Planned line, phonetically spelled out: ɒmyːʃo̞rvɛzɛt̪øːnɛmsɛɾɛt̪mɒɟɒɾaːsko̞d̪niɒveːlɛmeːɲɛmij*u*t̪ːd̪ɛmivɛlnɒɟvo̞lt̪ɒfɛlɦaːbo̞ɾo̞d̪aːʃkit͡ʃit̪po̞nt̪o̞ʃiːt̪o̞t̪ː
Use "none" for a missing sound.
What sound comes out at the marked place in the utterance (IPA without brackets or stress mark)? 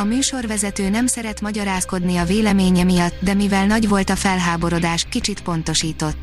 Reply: ɒ